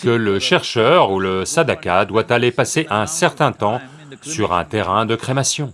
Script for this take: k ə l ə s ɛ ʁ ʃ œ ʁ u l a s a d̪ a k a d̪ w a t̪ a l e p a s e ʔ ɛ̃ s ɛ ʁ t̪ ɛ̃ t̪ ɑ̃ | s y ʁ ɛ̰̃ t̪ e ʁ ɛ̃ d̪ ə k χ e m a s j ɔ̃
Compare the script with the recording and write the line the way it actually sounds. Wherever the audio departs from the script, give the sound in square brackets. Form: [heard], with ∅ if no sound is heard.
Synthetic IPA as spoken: k ə l ə [ʃ] ɛ ʁ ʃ œ ʁ u l [ə] s a d̪ a k a d̪ w a t̪ a l e p a s e ʔ ɛ̃ s ɛ ʁ t̪ ɛ̃ t̪ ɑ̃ | s y ʁ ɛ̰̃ t̪ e ʁ ɛ̃ d̪ ə k χ e m a s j ɔ̃